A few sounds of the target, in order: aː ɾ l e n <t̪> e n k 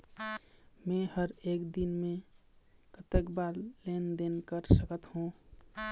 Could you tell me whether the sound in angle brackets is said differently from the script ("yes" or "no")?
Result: yes